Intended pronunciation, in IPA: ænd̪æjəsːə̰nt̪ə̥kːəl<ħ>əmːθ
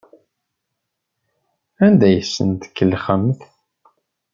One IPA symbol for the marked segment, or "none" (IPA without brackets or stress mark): χ